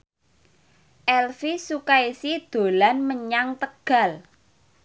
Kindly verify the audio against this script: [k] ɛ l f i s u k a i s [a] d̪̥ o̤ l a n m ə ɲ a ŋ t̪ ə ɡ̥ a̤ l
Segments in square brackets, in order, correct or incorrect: incorrect, incorrect

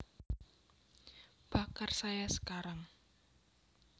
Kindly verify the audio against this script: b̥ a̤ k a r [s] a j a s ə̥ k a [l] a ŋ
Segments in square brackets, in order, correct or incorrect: correct, incorrect

